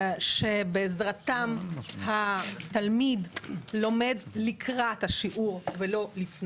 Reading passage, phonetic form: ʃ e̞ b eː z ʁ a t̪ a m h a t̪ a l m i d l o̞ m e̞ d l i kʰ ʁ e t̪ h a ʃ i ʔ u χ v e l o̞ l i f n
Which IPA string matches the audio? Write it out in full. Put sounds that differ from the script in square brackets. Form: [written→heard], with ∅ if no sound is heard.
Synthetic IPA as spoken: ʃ e̞ b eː z ʁ a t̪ a m h a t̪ a l m i d l o̞ m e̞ d l i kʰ ʁ [e→a] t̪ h a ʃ i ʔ u [χ→ʁ] v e l o̞ l i f n